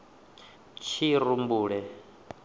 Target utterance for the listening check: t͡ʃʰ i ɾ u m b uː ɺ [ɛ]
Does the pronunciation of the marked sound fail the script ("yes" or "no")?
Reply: no